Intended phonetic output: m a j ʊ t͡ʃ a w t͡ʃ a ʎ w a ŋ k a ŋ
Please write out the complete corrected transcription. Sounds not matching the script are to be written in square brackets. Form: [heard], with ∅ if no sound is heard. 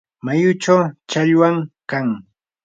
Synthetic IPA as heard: m a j ʊ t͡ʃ a w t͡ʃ a ʎ w a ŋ k a ŋ